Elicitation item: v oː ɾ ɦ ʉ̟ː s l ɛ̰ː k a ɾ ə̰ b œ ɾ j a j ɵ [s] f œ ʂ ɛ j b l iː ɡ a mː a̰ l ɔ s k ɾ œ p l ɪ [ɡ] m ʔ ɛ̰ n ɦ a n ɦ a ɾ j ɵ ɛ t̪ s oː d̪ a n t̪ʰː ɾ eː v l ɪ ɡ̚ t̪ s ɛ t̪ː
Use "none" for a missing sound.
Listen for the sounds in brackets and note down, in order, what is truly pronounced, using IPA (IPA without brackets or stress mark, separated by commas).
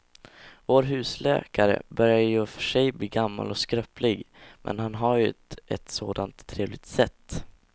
none, ɡ